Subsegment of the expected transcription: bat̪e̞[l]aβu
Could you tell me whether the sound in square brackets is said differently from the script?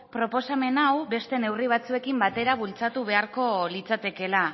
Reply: yes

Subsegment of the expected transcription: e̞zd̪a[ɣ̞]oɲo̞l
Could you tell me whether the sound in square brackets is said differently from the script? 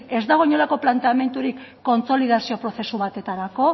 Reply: no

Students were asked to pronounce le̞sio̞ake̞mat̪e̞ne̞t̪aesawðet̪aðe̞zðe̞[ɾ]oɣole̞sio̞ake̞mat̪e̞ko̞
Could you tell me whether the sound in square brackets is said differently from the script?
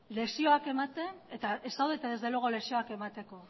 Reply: yes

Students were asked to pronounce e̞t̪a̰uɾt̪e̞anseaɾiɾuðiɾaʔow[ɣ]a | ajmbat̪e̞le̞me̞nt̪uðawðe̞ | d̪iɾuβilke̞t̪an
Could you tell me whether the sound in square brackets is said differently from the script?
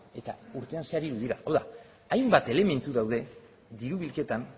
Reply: yes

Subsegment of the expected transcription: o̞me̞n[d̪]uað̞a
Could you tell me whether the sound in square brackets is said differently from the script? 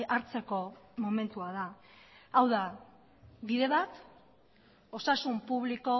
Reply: yes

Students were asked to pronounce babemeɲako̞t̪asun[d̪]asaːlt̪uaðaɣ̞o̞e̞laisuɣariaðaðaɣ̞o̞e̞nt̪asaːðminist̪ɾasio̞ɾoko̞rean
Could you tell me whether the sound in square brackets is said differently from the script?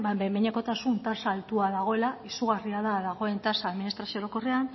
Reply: yes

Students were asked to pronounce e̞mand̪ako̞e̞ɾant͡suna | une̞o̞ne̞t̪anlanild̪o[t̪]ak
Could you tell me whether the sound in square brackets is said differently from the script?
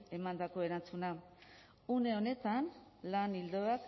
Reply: yes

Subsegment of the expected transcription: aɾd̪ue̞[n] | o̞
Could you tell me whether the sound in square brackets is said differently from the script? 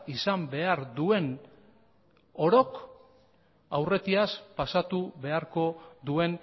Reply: no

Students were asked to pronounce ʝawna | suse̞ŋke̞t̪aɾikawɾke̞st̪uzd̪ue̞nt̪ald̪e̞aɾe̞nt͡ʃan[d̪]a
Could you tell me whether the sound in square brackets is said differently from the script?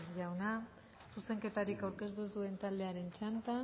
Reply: yes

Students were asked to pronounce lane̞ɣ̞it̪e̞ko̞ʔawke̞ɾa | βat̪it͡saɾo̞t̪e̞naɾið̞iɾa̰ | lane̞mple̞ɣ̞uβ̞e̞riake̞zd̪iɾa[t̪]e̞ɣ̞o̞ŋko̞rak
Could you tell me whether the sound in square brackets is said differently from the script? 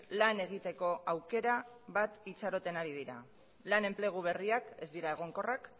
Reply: yes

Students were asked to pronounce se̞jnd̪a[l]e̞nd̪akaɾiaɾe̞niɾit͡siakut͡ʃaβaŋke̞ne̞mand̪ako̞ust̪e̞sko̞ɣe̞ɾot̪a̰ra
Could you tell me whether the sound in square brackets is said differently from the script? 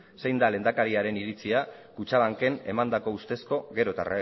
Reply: no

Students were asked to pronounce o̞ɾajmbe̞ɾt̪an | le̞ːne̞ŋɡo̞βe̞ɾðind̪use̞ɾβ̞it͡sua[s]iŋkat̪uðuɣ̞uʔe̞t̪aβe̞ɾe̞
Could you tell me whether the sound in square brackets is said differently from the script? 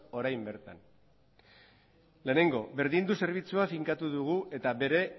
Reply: yes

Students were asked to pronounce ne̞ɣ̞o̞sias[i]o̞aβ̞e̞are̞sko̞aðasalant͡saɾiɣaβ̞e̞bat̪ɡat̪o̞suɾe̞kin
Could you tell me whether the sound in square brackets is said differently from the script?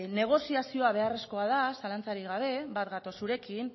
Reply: no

